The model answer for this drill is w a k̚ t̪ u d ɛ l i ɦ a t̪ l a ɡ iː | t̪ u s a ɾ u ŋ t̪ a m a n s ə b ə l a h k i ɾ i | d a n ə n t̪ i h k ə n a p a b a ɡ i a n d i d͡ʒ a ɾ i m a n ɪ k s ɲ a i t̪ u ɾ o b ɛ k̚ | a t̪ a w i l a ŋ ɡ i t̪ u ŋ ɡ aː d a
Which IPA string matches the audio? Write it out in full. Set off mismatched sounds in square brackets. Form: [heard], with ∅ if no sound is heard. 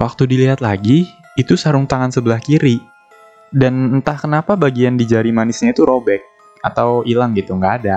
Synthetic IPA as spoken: w a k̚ t̪ u d [i] l i ɦ a t̪ l a ɡ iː | t̪ u s a ɾ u ŋ t̪ a [ŋ] a n s ə b ə l a h k i ɾ i | d a n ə n t̪ [a] h k ə n a p a b a ɡ i a n d i d͡ʒ a ɾ i m a n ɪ [∅] s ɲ a i t̪ u ɾ o b ɛ k̚ | a t̪ a w i l a ŋ ɡ i t̪ u ŋ ɡ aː d a